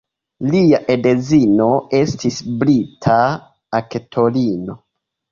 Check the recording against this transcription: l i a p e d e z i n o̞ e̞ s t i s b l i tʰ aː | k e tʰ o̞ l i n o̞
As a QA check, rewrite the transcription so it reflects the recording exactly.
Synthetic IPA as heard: l i a ʔ e d e z i n o̞ e̞ s t i s b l i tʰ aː | k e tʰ o̞ l i n o̞